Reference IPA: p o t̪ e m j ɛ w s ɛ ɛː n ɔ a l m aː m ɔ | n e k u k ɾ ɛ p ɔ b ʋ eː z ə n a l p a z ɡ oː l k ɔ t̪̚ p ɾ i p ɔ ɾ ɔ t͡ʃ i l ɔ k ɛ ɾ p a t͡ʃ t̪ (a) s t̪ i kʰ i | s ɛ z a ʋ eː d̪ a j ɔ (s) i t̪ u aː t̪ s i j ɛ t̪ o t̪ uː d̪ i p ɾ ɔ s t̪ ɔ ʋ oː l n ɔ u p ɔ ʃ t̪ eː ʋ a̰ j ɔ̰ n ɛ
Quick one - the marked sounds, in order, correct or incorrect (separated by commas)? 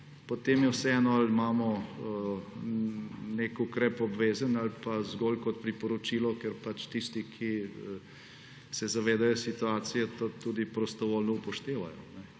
incorrect, correct